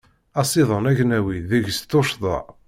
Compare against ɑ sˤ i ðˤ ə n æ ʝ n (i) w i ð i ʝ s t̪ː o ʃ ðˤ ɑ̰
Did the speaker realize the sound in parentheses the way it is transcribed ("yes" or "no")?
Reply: no